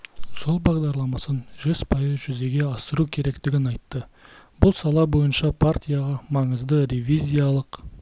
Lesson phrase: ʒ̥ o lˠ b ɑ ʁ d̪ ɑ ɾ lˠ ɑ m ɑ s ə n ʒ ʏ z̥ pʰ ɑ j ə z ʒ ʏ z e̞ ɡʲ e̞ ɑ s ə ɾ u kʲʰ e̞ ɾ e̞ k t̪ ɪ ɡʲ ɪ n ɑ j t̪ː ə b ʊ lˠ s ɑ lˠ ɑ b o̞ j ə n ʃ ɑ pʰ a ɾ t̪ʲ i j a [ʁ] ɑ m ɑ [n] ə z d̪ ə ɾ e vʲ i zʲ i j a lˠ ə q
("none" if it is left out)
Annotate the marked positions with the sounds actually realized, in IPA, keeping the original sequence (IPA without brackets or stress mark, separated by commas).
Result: ʁ, ɴ